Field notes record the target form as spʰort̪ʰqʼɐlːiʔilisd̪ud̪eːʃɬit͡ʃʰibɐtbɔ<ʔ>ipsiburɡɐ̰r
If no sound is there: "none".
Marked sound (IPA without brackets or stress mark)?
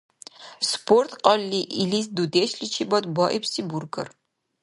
ʔ